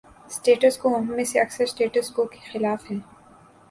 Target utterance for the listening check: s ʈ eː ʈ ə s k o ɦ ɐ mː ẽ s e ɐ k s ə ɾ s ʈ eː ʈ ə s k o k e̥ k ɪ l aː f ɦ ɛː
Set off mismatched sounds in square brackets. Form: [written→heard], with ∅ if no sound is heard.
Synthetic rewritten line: s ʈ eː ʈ ə s k o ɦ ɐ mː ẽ s e ɐ k s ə ɾ s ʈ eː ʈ ə s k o k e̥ [k→x] ɪ l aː f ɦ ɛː